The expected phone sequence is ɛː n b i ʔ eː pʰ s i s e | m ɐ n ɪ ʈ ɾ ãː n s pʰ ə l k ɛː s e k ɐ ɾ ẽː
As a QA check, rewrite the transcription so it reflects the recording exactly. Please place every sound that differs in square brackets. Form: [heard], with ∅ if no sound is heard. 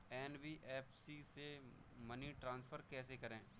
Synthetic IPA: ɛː n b i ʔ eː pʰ s i s e | m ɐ n [i] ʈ ɾ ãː n s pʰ ə [ɾ] k ɛː s e k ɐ ɾ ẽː